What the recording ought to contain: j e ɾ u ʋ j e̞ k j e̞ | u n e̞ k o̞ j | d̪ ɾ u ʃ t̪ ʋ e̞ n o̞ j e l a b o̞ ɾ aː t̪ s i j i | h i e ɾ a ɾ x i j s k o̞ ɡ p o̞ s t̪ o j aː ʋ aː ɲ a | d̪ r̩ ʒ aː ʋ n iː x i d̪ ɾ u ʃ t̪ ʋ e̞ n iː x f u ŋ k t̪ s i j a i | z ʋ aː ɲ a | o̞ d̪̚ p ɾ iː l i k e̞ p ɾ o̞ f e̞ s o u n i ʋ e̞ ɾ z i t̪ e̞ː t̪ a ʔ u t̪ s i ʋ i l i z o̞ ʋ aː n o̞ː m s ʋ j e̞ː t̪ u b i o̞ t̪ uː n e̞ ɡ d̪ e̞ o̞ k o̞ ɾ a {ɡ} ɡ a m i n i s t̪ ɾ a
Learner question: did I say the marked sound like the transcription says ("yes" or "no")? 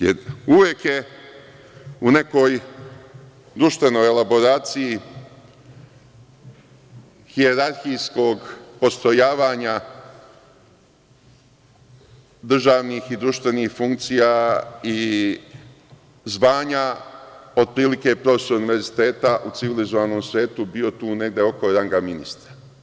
no